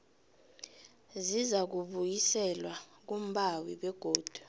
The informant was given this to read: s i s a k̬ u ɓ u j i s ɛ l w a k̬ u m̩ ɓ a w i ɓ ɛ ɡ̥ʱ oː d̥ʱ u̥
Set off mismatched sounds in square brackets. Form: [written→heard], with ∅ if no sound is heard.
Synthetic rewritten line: [s→z] i [s→z] a k̬ u ɓ u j i s ɛ l w a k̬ u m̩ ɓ a w i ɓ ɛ ɡ̥ʱ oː d̥ʱ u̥